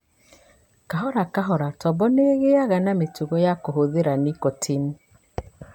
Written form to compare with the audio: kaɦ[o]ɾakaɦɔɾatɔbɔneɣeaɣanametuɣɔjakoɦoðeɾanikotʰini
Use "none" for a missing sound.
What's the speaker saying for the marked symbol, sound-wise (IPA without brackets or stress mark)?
ɔ